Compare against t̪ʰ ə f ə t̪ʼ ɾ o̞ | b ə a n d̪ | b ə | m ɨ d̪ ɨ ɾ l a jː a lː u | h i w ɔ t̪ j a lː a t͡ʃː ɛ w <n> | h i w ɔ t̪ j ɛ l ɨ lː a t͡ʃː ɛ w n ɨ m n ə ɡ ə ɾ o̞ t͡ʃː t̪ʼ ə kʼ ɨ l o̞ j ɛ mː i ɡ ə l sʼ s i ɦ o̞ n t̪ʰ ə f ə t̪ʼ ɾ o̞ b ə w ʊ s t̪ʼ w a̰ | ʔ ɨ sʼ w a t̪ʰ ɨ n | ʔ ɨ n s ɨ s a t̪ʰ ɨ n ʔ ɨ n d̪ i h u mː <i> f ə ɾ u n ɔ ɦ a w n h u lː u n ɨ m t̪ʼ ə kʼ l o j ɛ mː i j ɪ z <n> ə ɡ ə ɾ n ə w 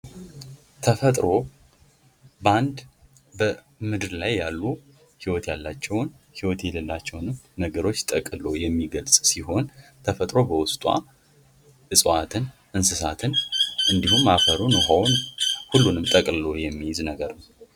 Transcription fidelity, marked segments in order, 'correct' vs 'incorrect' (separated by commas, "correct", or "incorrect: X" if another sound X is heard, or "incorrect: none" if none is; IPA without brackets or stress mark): correct, incorrect: a, correct